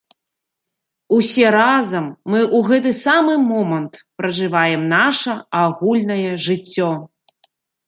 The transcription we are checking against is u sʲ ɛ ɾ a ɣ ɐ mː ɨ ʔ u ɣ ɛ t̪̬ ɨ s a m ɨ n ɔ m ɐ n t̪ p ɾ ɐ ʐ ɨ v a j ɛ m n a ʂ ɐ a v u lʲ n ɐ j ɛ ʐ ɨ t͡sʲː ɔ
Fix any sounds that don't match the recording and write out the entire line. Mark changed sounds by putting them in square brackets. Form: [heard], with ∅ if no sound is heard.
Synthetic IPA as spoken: u sʲ ɛ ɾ a [z] ɐ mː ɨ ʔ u ɣ ɛ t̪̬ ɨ s a m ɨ [m] ɔ m ɐ n t̪ p ɾ ɐ ʐ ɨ v a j ɛ m n a ʂ ɐ a [ɣ] u lʲ n ɐ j ɛ ʐ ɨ t͡sʲː ɔ